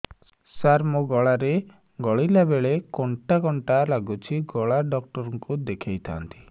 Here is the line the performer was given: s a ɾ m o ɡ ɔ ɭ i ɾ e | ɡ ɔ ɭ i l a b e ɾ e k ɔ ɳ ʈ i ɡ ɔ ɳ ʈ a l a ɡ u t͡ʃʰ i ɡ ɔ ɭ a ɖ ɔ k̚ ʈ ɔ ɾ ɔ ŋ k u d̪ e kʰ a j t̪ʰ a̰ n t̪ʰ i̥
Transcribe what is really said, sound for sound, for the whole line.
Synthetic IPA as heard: s a ɾ m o ɡ ɔ ɭ a ɾ e | ɡ ɔ ɭ i l a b e ɭ e k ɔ ɳ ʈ a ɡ ɔ ɳ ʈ a l a ɡ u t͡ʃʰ i ɡ ɔ ɭ a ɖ ɔ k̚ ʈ ɔ ɾ ɔ ŋ k u d̪ e kʰ a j t̪ʰ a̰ n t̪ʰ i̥